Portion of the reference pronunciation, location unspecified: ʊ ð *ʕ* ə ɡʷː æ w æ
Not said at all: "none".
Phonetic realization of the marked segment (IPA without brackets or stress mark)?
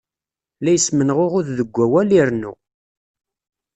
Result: ð